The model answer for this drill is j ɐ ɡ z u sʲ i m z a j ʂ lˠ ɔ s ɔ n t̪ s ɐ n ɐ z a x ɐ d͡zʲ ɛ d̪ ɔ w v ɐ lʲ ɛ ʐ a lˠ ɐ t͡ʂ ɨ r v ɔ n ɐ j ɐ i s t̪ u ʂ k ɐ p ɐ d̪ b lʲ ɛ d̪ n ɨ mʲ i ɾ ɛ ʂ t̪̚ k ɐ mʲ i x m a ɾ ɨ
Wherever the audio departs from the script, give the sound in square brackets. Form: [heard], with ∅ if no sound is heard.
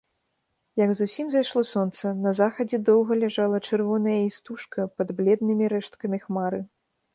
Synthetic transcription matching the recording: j ɐ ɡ z u sʲ i m z a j ʂ lˠ ɔ s ɔ n t̪ s ɐ n ɐ z a x ɐ d͡zʲ ɛ d̪ ɔ w [ɣ] ɐ lʲ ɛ ʐ a lˠ ɐ t͡ʂ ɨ r v ɔ n ɐ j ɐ i s t̪ u ʂ k ɐ p ɐ d̪ b lʲ ɛ d̪ n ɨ mʲ i ɾ ɛ ʂ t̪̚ k ɐ mʲ i x m a ɾ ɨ